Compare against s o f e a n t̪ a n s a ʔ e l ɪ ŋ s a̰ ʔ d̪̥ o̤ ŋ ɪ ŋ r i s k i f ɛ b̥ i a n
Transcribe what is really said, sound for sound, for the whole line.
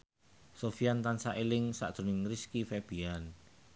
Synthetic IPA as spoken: s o f i a n t̪ a n s a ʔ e l ɪ ŋ s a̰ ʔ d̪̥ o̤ n ɪ ŋ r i s k i f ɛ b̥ i a n